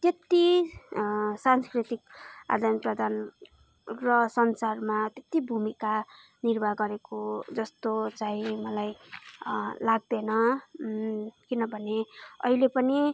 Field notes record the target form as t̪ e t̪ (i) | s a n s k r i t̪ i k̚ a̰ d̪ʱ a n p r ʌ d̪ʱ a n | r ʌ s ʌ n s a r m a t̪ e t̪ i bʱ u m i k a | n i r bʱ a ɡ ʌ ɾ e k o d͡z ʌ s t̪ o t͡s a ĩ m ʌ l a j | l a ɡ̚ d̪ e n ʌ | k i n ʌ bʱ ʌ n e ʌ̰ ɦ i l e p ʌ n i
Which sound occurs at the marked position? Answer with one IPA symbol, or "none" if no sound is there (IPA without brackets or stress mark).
i